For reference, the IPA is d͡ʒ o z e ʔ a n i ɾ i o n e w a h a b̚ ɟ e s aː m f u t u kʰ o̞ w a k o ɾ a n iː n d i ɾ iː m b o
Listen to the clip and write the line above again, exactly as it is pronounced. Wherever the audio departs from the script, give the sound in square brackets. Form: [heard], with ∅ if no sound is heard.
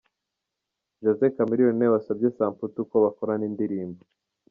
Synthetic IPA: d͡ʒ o z e [k] a [m] i ɾ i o n e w a [s] a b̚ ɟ e s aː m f u t u [k] o̞ [β] a k o ɾ a n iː n d i ɾ iː m b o